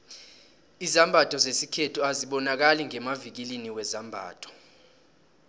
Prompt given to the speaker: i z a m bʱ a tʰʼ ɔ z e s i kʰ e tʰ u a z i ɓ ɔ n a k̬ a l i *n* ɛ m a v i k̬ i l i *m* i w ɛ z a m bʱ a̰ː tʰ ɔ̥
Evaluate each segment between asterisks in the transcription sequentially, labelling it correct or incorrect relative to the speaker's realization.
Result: incorrect, incorrect

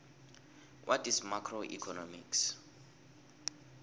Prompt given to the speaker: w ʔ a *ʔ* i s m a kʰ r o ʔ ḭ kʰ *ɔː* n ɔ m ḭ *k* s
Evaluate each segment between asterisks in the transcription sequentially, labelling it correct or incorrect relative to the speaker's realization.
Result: incorrect, incorrect, correct

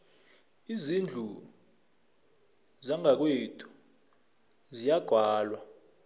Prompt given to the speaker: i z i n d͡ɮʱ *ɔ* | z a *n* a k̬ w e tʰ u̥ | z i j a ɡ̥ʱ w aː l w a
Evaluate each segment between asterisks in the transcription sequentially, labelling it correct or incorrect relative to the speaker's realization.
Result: incorrect, incorrect

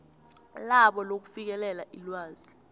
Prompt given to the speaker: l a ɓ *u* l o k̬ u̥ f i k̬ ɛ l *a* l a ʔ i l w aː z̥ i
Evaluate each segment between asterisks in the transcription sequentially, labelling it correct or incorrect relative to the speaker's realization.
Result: incorrect, incorrect

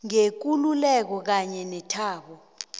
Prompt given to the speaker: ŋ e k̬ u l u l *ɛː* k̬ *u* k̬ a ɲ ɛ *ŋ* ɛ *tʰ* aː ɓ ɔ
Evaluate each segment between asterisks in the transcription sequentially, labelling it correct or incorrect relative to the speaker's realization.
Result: incorrect, incorrect, incorrect, correct

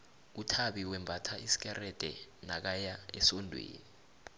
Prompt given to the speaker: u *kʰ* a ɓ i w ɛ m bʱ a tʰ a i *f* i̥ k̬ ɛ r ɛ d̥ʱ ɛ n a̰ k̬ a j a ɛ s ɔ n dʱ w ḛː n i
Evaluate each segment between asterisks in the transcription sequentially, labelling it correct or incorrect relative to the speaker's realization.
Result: incorrect, incorrect

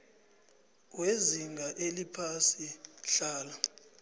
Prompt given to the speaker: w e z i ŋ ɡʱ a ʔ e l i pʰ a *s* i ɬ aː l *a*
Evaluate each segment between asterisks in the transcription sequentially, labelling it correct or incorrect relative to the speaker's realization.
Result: correct, correct

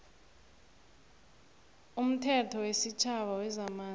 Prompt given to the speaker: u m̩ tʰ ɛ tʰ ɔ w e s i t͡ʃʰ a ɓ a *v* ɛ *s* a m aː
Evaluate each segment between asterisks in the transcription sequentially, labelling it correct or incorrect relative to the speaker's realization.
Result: incorrect, incorrect

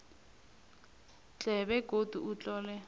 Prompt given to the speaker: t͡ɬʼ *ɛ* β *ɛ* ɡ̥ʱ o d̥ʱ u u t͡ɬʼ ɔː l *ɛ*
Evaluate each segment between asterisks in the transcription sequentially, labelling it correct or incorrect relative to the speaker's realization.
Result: correct, correct, correct

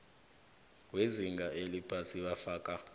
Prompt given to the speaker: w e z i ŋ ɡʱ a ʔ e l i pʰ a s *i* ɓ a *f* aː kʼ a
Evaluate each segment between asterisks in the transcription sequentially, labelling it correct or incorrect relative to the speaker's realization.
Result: correct, correct

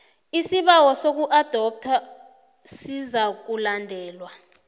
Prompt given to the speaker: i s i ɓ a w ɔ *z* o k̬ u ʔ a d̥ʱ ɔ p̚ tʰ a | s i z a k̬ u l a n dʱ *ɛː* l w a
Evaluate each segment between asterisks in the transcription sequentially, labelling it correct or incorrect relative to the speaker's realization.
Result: incorrect, correct

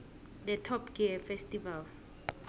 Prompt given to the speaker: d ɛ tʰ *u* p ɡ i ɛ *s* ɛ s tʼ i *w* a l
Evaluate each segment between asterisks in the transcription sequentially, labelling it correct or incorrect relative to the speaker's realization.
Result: incorrect, incorrect, incorrect

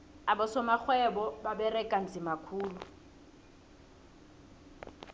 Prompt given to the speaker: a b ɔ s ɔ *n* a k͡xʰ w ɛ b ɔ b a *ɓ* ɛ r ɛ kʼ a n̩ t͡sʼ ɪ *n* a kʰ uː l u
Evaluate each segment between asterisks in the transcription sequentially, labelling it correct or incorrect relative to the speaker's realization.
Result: incorrect, incorrect, incorrect

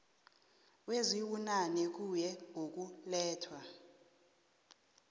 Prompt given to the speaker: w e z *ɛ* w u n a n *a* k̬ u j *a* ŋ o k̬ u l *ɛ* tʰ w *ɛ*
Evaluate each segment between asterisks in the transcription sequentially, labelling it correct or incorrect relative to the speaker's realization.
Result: incorrect, incorrect, incorrect, incorrect, incorrect

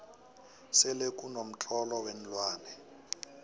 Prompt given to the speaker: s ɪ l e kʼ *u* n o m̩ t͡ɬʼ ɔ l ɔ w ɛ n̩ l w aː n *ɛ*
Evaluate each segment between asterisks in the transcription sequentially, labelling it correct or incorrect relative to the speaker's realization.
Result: correct, correct

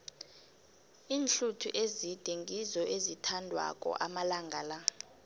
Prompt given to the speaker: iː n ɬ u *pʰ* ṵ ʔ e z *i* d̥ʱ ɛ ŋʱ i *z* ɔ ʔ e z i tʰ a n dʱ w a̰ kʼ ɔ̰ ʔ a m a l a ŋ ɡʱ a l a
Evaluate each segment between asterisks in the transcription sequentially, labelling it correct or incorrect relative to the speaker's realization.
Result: incorrect, correct, correct

